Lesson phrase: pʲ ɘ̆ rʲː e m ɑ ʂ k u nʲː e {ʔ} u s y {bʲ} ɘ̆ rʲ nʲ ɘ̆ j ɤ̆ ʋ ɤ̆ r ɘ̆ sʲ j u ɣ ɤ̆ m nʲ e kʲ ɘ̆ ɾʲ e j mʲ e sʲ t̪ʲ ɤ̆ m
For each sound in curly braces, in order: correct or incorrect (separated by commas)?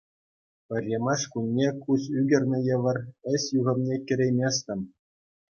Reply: incorrect, incorrect